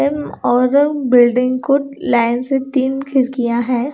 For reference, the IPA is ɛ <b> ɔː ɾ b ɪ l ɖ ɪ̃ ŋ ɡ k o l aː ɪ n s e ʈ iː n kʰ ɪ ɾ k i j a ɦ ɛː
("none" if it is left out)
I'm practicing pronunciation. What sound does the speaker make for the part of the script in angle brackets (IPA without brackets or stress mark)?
m